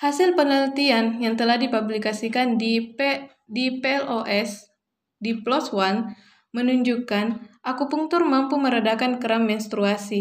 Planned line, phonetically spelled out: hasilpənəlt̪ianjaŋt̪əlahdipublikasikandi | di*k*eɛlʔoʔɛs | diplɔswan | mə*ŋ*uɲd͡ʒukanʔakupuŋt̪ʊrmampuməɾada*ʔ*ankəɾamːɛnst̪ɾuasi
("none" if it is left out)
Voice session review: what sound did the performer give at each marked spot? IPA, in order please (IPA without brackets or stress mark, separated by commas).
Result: p, n, k